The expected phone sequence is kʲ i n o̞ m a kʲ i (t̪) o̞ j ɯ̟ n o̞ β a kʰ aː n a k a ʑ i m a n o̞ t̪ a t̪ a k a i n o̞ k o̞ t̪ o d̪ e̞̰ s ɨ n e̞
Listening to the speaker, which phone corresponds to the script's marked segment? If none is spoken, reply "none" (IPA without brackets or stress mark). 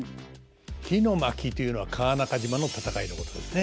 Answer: t̪